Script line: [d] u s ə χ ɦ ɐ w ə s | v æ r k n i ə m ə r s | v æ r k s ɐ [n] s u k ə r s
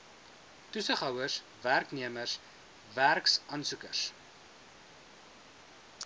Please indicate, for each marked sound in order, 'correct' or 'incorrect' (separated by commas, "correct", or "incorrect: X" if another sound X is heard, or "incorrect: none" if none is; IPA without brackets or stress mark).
incorrect: t, correct